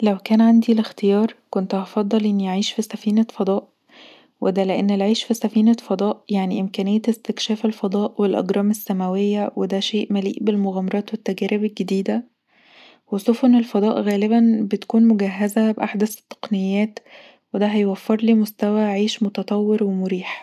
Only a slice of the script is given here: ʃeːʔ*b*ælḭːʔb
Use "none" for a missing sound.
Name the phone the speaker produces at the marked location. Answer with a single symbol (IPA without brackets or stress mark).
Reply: m